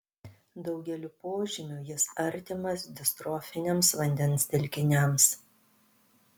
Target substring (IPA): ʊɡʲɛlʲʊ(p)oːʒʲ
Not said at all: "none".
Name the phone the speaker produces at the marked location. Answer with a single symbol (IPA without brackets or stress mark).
p